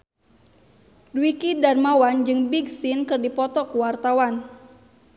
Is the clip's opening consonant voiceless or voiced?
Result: voiced